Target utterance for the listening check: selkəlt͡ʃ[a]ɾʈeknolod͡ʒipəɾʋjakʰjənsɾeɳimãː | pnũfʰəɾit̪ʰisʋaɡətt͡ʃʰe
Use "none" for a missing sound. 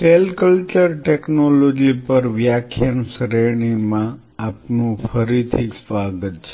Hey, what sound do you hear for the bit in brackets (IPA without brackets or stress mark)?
ə